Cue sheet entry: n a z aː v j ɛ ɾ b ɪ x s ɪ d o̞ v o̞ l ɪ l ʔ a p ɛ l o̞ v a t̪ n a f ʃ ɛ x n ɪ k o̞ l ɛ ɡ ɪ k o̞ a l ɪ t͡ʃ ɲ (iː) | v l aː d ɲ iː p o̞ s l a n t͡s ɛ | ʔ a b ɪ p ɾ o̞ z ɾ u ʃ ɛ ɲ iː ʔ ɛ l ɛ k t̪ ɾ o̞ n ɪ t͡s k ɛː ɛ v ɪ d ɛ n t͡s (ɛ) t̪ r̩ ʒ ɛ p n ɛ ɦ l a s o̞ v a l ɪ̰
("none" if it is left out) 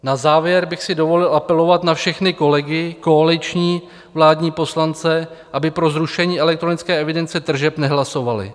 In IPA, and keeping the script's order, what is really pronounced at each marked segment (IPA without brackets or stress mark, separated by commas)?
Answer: iː, ɛ